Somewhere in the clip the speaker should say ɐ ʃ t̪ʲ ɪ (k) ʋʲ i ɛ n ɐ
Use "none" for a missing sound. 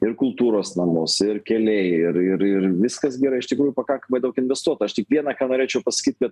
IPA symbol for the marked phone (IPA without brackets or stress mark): k